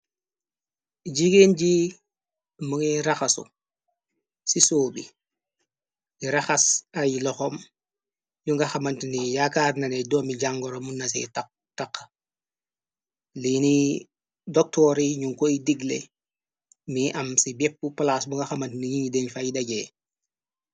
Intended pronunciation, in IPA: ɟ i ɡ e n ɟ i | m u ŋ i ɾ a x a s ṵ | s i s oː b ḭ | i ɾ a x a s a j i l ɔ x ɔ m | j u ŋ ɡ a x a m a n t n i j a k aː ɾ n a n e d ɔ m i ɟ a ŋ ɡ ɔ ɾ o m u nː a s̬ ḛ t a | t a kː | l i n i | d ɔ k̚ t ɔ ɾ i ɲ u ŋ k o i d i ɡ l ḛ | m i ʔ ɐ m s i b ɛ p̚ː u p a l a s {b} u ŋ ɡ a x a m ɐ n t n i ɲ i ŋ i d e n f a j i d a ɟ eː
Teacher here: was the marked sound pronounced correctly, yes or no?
yes